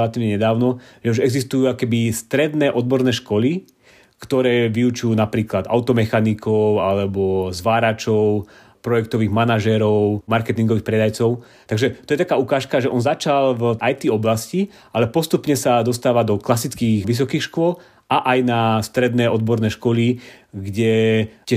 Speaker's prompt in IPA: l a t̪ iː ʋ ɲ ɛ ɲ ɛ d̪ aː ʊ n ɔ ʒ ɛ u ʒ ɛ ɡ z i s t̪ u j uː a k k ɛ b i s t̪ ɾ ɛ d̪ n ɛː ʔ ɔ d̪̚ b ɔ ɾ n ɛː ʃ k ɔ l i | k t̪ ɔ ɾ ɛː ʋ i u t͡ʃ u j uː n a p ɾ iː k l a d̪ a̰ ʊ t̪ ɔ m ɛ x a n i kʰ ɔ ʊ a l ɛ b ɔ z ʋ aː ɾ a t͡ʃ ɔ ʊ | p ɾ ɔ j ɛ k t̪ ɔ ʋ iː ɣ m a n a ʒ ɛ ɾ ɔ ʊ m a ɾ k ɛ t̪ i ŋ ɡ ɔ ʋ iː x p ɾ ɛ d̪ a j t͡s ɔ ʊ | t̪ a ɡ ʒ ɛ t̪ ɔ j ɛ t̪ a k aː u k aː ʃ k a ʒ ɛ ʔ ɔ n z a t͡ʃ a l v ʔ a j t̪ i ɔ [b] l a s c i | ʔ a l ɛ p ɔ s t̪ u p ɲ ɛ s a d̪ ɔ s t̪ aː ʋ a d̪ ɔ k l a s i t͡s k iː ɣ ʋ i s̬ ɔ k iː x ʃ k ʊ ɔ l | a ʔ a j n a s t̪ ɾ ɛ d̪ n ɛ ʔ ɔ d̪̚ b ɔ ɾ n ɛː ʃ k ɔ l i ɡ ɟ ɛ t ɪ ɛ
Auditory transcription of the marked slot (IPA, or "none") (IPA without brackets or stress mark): b